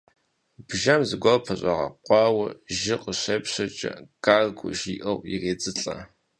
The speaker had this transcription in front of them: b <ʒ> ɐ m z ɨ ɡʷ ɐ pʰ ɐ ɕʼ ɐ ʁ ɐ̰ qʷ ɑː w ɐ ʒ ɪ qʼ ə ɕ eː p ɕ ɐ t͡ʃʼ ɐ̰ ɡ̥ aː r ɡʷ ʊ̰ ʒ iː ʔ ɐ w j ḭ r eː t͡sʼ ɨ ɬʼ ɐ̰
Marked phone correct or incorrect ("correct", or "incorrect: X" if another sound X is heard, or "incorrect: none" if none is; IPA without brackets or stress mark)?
correct